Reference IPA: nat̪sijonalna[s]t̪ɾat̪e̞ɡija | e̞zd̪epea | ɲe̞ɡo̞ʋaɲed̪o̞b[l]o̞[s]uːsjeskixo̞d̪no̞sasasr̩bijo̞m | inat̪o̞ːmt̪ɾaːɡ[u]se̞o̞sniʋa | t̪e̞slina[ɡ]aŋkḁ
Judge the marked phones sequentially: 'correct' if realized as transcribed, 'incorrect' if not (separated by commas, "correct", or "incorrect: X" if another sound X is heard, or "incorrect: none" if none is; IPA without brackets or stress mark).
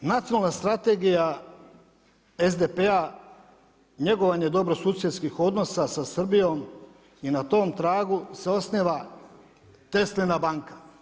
correct, incorrect: ɾ, correct, correct, incorrect: b